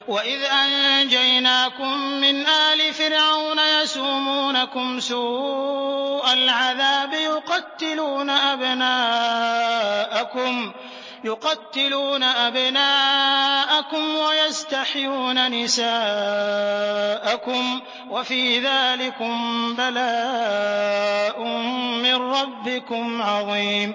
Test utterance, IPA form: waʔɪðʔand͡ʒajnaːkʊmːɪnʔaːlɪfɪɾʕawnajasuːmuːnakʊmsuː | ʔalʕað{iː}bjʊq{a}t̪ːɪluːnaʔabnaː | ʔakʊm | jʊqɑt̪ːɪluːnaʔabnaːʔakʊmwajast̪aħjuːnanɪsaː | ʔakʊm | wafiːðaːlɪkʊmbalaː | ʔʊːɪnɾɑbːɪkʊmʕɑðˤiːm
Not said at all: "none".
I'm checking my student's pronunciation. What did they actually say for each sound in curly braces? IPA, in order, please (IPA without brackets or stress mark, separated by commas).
aː, ɑ